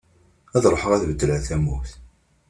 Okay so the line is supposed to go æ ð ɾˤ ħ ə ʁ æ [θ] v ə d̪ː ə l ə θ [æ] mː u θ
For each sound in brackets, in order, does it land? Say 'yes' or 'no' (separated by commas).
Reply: yes, yes